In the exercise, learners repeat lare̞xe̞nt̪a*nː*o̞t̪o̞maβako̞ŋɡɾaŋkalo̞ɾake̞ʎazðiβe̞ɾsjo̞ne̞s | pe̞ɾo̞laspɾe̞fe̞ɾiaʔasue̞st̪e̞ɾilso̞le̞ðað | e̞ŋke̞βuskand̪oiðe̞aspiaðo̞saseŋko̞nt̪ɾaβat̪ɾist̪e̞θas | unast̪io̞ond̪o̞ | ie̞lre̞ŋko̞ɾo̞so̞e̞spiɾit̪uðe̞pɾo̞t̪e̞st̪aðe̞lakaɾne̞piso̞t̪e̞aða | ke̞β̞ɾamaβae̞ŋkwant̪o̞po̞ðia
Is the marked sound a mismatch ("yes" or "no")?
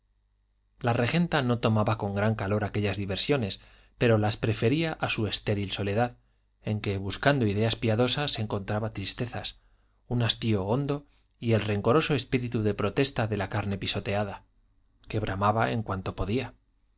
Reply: yes